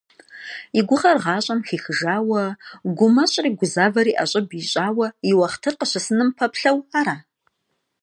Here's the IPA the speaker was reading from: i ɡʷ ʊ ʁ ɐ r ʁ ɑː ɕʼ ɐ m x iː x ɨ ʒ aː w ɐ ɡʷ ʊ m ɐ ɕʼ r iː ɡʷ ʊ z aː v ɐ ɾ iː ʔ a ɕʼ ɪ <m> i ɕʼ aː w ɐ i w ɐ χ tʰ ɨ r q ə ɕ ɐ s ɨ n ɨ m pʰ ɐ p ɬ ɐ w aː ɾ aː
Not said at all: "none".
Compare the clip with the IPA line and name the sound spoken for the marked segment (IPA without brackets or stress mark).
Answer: b